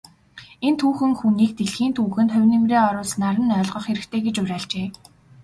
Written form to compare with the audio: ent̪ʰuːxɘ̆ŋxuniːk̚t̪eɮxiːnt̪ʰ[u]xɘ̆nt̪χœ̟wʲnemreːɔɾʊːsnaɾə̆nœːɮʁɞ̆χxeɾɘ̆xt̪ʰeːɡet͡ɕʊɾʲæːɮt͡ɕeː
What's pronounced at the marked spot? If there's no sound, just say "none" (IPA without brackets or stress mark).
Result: uː